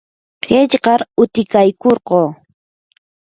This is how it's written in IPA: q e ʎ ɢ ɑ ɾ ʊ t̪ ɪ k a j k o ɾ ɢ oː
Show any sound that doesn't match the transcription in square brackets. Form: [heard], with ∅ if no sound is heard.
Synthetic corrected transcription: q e ʎ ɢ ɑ ɾ ʊ t̪ ɪ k a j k o ɾ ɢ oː